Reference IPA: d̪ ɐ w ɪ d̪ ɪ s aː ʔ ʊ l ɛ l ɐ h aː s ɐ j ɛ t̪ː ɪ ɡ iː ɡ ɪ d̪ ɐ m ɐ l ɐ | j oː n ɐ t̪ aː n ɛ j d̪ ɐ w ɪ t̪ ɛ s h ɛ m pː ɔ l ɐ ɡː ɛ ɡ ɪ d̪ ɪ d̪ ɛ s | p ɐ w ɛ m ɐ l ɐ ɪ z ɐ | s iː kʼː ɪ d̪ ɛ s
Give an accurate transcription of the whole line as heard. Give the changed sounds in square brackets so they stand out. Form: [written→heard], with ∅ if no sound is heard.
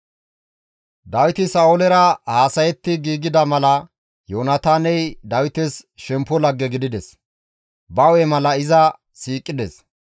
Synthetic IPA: d̪ ɐ w ɪ [d̪→t̪] ɪ s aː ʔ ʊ l ɛ [l→ɾ] ɐ h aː s ɐ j ɛ t̪ː ɪ ɡ iː ɡ ɪ d̪ ɐ m ɐ l ɐ | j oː n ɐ t̪ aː n ɛ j d̪ ɐ w ɪ t̪ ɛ s [h→ʃ] ɛ m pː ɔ l ɐ ɡː ɛ ɡ ɪ d̪ ɪ d̪ ɛ s | [p→b] ɐ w ɛ m ɐ l ɐ ɪ z ɐ | s iː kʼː ɪ d̪ ɛ s